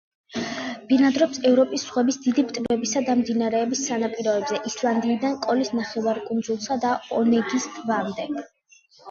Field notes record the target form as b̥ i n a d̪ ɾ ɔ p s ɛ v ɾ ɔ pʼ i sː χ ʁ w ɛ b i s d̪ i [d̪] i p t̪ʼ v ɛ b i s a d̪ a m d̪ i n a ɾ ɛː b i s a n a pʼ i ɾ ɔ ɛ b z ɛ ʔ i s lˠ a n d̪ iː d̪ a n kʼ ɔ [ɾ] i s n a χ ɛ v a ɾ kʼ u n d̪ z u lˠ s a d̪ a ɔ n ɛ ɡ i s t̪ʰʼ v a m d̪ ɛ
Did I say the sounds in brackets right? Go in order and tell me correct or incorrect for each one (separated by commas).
correct, incorrect